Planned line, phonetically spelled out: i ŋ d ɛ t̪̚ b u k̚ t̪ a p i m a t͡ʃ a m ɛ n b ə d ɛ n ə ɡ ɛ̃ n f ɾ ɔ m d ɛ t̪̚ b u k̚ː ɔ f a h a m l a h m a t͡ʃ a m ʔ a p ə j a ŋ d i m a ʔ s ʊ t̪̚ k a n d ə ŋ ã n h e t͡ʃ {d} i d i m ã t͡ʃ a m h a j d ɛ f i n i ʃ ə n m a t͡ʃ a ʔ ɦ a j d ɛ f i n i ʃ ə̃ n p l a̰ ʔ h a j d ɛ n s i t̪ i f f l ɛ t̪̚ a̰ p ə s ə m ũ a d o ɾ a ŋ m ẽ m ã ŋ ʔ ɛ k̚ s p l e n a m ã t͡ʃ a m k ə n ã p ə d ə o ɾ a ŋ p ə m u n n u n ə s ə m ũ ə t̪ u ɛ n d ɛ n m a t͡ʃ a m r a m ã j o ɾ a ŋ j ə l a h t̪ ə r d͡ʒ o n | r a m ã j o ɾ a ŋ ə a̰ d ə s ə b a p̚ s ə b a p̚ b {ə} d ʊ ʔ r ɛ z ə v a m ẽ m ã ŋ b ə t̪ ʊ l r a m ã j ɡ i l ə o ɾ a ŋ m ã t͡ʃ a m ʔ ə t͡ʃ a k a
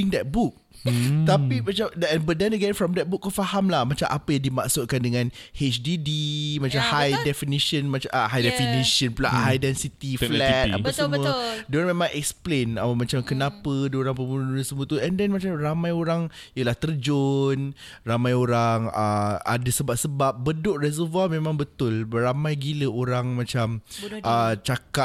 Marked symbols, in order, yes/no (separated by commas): yes, yes